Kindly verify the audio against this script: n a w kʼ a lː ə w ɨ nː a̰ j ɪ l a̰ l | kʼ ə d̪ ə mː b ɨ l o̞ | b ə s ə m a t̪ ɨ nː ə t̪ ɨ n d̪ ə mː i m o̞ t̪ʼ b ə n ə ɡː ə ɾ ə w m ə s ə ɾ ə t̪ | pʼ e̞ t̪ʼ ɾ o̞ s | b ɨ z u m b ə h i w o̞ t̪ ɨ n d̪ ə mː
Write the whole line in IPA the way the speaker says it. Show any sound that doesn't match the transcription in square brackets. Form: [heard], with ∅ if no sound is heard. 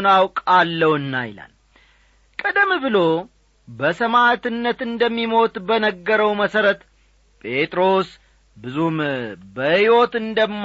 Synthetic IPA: n a w kʼ a lː ə w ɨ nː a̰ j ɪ l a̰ l | kʼ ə d̪ ə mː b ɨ l o̞ | b ə s ə m a t̪ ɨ nː ə t̪ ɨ n d̪ ə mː i m o̞ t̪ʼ b ə n ə ɡː ə ɾ ə w m ə s ə ɾ ə t̪ | pʼ e̞ t̪ʼ ɾ o̞ s | b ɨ z u m b ə h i w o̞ t̪ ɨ n d̪ ə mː